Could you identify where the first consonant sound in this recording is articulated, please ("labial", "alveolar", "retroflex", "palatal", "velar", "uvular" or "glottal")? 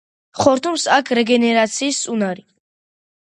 uvular